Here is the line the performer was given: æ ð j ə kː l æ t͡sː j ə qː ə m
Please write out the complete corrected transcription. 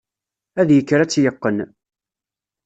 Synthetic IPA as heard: æ ð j ə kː ɾ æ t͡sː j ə qː ə n